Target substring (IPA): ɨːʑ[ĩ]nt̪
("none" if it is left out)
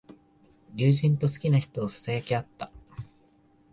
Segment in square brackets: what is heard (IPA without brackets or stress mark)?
ĩ